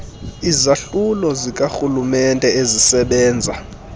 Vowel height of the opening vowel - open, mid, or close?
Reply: close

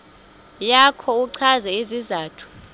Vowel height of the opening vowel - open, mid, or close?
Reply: open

